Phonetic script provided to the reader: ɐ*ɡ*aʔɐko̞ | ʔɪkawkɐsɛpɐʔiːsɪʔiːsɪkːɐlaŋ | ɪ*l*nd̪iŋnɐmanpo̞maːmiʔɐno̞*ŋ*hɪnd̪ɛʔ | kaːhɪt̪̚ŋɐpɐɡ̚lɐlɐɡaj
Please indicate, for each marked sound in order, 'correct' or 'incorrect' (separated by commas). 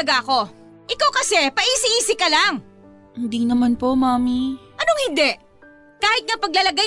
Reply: correct, incorrect, correct